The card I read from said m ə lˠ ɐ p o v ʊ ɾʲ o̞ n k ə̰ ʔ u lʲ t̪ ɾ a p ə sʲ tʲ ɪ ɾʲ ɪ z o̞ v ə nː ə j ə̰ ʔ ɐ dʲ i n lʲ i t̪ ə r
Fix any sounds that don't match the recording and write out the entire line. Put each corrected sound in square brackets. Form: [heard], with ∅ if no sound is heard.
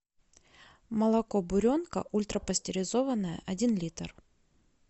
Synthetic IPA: m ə lˠ ɐ [k] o [b] ʊ ɾʲ o̞ n k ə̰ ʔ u lʲ t̪ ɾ [ə] p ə sʲ tʲ ɪ ɾʲ ɪ z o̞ v ə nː ə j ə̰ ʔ ɐ dʲ i n lʲ i t̪ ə r